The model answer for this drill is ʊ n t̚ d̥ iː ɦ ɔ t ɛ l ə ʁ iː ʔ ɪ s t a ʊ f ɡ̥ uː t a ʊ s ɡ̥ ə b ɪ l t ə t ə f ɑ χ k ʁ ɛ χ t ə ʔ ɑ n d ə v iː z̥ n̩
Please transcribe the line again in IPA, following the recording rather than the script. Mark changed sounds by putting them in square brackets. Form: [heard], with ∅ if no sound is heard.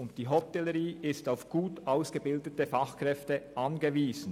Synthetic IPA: ʊ n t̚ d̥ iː ɦ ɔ t ɛ l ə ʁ iː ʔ ɪ s t a ʊ f ɡ̥ uː t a ʊ s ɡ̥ ə b ɪ l [d] ə t ə f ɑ χ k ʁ ɛ [f] t ə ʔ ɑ n [ɡ] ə v iː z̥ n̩